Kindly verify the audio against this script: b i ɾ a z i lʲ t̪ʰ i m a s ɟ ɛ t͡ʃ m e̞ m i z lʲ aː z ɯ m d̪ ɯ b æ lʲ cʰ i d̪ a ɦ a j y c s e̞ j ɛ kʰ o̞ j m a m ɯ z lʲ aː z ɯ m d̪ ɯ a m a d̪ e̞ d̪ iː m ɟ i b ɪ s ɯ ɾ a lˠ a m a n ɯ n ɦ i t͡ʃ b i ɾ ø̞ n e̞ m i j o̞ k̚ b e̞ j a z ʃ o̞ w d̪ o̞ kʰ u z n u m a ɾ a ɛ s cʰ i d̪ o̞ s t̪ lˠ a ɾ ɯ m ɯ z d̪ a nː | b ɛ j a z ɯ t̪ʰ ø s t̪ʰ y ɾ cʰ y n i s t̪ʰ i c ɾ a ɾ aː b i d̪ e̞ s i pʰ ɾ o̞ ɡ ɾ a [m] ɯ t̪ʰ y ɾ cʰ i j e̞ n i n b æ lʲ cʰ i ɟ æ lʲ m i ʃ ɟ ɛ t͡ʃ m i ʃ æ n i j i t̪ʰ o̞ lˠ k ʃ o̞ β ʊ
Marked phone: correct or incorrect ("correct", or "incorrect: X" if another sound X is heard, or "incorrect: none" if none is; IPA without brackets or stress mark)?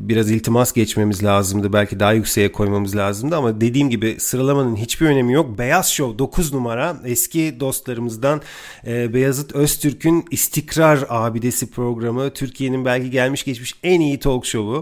correct